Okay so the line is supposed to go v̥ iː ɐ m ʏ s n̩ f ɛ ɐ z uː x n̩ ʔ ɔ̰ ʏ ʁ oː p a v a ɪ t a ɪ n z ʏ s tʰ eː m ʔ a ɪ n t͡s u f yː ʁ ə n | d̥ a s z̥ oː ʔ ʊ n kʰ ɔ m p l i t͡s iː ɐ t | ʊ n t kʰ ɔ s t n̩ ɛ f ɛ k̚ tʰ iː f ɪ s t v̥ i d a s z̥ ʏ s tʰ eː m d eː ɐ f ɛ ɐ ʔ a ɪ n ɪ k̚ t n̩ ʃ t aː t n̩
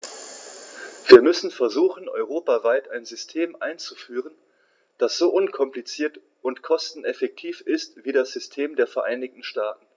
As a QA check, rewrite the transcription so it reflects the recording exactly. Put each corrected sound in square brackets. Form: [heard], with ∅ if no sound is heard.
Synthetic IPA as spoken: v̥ iː ɐ m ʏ s n̩ f ɛ ɐ z uː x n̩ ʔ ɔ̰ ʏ ʁ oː p a v a ɪ t a ɪ n z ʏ s tʰ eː m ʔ a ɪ n t͡s u f yː ʁ ə n | d̥ a s z̥ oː ʔ ʊ n kʰ ɔ m p l i t͡s iː ɐ t | ʊ n t kʰ ɔ s t n̩ ɛ f ɛ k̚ tʰ iː f ɪ s t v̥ [iː] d a s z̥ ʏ s tʰ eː m d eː ɐ f ɛ ɐ ʔ a ɪ n ɪ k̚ t n̩ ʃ t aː t n̩